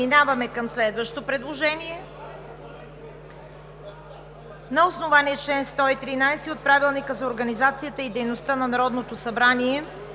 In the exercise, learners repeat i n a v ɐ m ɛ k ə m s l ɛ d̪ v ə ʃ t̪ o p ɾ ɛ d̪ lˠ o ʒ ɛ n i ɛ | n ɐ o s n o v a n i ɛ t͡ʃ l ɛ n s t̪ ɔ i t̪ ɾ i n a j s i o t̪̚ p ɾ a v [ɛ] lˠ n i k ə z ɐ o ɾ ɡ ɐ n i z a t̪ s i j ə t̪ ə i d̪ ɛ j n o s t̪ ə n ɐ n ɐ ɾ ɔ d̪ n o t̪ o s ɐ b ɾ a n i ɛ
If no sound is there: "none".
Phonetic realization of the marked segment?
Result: i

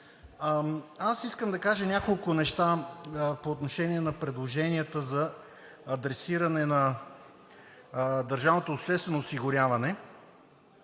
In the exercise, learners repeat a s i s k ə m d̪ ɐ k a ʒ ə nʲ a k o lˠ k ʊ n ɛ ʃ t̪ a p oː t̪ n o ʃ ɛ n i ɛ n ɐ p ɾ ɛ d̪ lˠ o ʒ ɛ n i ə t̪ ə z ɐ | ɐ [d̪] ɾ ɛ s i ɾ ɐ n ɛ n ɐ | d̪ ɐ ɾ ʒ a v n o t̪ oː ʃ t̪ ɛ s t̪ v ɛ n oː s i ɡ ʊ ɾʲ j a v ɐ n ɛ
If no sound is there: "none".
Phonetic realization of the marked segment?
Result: d̪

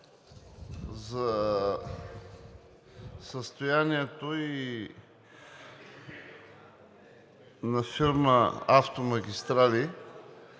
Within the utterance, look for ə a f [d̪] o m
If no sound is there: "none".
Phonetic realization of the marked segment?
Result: t̪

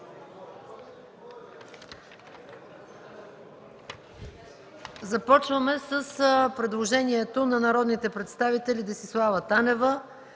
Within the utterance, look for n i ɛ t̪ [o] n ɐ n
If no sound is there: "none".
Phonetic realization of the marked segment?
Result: o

